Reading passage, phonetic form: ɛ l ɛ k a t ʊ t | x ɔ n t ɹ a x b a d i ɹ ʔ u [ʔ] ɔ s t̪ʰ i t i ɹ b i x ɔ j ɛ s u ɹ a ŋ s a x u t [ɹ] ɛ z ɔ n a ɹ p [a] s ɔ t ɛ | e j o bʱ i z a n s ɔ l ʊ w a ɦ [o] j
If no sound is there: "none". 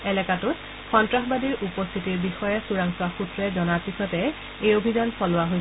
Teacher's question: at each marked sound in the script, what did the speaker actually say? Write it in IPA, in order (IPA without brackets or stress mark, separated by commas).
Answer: p, ɹ, i, o